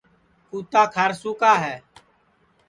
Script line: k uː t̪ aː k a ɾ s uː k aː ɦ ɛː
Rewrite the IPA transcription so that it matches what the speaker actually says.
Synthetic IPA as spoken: k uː t̪ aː kʰ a ɾ s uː k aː ɦ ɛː